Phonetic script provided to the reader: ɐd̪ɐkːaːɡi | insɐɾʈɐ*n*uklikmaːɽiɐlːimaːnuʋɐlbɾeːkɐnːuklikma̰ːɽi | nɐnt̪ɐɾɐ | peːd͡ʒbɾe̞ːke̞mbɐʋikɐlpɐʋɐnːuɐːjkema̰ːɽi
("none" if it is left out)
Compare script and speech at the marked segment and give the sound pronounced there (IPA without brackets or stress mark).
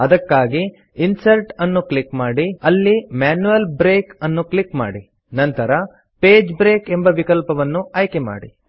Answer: nː